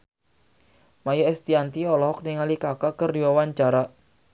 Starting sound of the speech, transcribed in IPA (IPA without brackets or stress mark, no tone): m